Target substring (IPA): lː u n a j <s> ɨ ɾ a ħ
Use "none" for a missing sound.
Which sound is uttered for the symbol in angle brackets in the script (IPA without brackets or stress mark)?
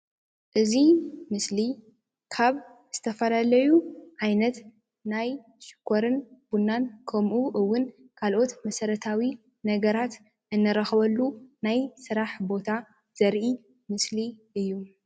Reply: s